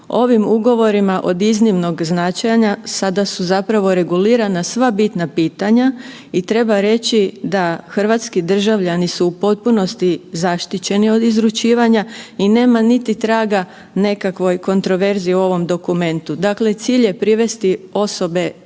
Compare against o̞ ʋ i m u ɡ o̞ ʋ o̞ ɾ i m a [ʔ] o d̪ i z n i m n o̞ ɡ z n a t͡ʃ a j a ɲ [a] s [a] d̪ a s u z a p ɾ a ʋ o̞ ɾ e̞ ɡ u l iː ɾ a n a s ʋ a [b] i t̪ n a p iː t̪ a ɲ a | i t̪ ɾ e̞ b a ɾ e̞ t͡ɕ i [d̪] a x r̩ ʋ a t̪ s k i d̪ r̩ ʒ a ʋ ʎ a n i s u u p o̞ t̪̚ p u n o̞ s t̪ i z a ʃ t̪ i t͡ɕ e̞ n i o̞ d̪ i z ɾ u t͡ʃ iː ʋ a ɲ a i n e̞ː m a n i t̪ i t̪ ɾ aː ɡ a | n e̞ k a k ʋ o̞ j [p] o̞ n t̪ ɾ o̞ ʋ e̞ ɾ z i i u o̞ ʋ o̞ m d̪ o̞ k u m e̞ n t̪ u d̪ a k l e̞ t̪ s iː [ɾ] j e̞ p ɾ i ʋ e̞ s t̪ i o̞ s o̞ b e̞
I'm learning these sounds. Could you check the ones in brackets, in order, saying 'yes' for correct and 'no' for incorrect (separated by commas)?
yes, yes, yes, yes, yes, no, no